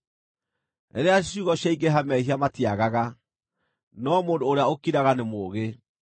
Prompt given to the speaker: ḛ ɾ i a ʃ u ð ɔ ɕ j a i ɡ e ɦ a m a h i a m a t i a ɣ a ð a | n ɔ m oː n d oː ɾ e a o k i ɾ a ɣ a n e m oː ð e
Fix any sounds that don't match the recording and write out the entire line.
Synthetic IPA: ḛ ɾ e a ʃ u ɣ ɔ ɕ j a i ɡ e ɦ a m ɛ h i a m a t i a ɣ a ɣ a | n ɔ m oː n d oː ɾ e a o k i ɾ a ɣ a n e m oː ɣ e

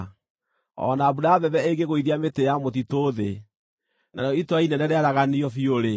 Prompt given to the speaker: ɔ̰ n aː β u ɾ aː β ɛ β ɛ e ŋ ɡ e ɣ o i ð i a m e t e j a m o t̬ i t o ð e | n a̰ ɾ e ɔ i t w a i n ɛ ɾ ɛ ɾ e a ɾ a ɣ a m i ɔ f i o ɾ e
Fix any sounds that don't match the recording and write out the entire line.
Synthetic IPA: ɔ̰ n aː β u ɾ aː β ɛ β ɛ e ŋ ɡ e ɣ o i ð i a m e t e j a m o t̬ i t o ð e | n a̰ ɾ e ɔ i t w a i n ɛ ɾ ɛ ɾ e a ɾ a ɣ a n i ɔ f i o ɾ e

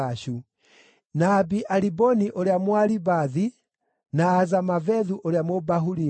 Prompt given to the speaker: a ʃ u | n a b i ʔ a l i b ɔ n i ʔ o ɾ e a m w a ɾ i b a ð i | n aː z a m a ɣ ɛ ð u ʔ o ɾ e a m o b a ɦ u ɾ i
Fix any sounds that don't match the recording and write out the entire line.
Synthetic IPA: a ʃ u | n a b i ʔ a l i b ɔ n i ʔ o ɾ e a m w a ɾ i b a ð i | n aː z a m a v ɛ ð u ʔ o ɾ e a m o b a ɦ u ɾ i

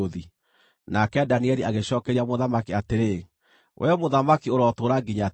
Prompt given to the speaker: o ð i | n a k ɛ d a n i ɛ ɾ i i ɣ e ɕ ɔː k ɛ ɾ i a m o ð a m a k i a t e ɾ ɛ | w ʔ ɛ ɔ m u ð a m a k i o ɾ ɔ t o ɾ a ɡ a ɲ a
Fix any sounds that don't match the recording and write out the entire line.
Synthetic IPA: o ð i | n a k ɛ d a n i ɛ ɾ i a ɣ e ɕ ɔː k ɛ ɾ i a m o ð a m a k i a t e ɾ e | w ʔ ɛ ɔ m o ð a m a k i o ɾ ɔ t o ɾ a ɡ i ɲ a

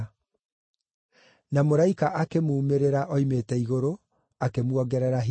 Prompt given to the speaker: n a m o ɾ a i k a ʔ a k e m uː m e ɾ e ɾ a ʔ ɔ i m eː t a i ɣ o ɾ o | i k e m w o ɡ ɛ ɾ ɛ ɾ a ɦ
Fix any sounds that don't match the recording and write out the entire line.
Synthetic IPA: n a m o ɾ a i k a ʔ a k e m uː m e ɾ e ɾ a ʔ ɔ i m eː t ɛ i ɣ o ɾ o | a k e m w ɔ ɡ ɛ ɾ ɛ ɾ a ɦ

